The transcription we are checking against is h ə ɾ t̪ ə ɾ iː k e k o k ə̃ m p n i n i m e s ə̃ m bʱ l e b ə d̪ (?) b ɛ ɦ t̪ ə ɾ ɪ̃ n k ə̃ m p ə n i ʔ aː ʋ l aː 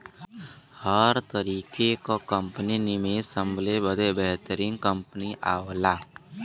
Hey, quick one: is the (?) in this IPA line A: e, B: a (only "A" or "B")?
A